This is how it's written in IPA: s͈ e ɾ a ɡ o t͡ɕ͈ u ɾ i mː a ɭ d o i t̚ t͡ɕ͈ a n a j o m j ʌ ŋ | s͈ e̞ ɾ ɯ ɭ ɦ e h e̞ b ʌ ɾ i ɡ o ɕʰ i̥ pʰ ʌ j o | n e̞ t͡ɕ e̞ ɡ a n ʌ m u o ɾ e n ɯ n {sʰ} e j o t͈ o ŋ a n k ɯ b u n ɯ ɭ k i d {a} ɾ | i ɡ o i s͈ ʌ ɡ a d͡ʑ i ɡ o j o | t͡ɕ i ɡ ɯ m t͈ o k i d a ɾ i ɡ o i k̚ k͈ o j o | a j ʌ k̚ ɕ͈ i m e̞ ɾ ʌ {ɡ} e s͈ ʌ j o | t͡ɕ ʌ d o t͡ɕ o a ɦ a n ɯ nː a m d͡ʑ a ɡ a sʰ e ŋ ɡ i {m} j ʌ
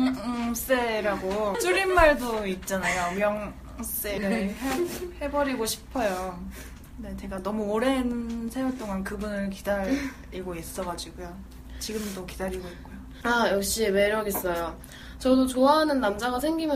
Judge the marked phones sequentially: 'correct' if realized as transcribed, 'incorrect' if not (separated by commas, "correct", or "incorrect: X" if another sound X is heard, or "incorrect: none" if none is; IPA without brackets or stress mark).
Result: correct, correct, correct, correct